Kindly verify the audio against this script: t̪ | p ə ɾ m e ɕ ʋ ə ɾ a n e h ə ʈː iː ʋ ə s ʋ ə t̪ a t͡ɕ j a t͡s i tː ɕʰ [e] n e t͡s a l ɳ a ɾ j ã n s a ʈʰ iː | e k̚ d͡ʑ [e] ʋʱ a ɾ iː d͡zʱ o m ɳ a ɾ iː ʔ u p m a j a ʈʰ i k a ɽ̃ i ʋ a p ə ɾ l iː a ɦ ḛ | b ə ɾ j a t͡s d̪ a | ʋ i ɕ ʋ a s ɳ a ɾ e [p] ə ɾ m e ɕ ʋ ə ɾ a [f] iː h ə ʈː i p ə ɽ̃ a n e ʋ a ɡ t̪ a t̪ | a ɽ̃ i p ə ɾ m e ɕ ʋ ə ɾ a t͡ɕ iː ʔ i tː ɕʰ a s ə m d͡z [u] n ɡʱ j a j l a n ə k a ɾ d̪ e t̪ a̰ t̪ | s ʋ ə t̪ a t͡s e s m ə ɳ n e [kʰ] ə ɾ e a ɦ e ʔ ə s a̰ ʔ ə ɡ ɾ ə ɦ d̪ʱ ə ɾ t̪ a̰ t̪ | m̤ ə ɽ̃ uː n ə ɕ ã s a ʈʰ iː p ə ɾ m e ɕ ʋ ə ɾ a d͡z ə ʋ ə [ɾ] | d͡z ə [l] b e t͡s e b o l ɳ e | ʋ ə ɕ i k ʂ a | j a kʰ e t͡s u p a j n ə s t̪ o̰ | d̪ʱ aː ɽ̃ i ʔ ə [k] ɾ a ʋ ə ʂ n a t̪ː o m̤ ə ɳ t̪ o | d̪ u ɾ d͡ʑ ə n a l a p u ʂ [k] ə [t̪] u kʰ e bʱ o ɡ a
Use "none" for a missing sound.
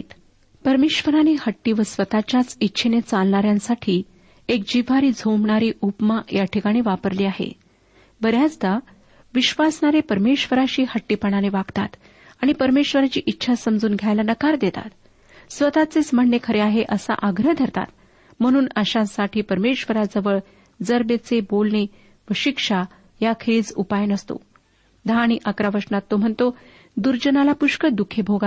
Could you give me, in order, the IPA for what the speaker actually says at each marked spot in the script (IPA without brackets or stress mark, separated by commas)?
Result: e, i, p, ɕ, uː, kʰ, ɭ, ɾ, k, k, d̪